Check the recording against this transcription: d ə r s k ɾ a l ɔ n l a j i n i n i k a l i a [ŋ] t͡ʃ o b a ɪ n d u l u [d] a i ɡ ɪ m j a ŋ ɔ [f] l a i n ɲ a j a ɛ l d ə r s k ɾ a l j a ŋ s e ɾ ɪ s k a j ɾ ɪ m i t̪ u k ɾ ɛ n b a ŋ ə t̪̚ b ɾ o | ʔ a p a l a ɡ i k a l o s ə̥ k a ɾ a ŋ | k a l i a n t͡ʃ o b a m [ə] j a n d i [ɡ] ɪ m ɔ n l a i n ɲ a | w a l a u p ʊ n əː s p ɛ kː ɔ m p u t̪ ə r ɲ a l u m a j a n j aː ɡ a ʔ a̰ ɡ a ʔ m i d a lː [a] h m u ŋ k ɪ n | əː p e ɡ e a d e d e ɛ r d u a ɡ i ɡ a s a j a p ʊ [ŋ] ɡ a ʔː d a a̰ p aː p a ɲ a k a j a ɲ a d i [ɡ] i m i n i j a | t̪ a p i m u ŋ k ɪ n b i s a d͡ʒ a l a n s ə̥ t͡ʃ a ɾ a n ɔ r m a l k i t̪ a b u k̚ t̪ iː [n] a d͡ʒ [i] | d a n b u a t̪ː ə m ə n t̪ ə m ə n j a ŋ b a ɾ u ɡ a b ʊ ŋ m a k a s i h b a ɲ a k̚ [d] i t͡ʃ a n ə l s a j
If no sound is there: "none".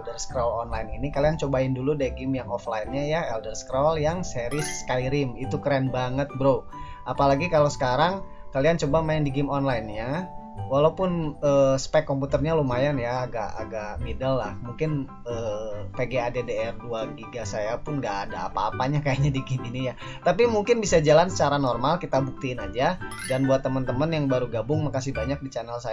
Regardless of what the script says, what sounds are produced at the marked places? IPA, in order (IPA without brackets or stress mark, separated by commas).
n, d, f, a, ɡ, a, n, ɡ, n, a, d